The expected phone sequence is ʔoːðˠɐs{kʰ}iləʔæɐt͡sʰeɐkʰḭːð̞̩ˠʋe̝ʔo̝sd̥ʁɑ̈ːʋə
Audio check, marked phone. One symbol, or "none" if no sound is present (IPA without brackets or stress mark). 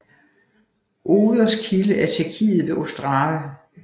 kʰ